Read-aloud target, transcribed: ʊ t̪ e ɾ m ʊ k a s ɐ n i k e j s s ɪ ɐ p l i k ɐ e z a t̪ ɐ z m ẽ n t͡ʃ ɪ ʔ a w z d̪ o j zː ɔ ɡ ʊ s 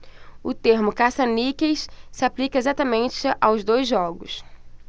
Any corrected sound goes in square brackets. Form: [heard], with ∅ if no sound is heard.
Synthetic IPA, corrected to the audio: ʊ t̪ e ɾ m ʊ k a s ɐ n i k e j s s ɪ [a] p l i k ɐ e z a t̪ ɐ [∅] m ẽ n t͡ʃ ɪ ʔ a w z d̪ o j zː ɔ ɡ ʊ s